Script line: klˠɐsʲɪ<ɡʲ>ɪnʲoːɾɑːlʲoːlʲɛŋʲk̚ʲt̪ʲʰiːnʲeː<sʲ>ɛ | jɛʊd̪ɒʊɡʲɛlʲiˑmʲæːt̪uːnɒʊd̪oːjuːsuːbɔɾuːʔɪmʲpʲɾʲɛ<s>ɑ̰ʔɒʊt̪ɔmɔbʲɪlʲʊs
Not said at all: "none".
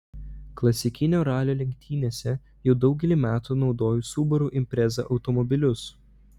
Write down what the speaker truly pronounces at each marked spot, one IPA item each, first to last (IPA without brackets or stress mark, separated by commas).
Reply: kʲ, sʲ, z